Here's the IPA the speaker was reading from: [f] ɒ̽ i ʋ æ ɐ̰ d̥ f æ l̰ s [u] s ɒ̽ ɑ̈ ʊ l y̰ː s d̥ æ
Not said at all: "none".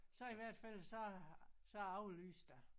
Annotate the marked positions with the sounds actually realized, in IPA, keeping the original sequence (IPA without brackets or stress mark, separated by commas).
s, ɒ